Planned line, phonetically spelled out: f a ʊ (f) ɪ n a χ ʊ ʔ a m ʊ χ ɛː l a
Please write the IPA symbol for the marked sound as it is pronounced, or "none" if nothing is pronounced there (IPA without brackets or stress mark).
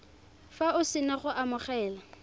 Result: s